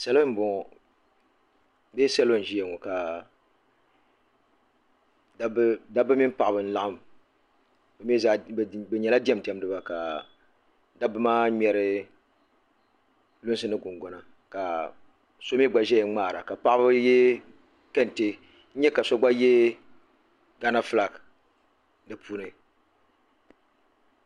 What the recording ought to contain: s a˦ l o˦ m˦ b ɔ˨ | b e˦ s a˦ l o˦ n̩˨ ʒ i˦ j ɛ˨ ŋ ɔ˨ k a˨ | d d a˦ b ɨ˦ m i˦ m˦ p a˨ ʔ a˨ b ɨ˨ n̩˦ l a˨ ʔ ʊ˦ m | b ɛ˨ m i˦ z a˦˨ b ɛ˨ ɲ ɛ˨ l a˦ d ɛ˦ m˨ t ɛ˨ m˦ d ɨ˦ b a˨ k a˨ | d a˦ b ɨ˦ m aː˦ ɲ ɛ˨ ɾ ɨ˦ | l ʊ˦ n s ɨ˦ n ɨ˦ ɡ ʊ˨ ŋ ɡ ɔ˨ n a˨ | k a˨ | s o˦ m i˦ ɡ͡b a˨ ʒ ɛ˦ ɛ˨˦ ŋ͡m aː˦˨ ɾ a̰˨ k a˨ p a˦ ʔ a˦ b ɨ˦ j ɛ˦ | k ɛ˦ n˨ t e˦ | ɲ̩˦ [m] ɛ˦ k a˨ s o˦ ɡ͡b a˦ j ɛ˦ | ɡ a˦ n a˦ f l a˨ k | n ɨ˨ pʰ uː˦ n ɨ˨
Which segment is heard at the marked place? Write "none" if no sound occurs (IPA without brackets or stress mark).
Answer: ɲ